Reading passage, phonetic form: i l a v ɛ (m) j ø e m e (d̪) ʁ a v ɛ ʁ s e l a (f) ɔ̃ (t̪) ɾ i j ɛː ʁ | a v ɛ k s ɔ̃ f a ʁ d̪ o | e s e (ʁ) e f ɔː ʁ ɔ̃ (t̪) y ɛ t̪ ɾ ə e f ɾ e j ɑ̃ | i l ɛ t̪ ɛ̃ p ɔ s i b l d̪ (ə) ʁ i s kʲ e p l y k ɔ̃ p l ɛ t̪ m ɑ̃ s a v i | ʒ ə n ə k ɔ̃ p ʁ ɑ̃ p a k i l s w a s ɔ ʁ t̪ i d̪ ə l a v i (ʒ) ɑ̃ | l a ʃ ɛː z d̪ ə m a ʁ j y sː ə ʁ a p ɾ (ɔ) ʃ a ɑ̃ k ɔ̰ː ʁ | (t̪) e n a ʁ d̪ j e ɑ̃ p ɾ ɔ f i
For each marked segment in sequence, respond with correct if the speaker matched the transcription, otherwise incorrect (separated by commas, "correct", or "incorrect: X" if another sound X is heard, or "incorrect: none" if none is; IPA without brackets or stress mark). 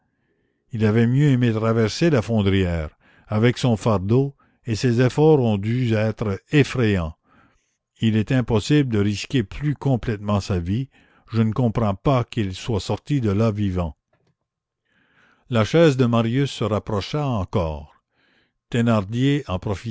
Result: correct, incorrect: t̪, correct, incorrect: d̪, incorrect: z, incorrect: d̪, correct, incorrect: v, correct, correct